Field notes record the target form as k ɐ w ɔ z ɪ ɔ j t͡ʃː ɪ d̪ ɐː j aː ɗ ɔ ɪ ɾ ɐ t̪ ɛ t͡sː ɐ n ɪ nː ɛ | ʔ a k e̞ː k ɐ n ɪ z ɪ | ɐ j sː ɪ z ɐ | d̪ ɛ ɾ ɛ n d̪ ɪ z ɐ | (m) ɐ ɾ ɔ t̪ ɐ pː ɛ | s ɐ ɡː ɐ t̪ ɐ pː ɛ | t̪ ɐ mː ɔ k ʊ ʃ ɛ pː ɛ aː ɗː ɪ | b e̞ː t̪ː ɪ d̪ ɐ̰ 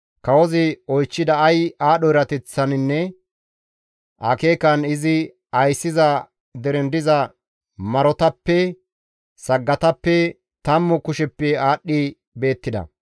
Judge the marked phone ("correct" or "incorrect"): correct